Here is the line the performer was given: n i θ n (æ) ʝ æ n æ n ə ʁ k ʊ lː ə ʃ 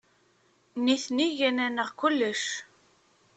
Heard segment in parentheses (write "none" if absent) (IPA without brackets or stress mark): i